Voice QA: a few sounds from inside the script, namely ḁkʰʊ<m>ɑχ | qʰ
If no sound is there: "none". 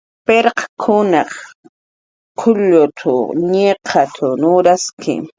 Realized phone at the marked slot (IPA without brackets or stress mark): n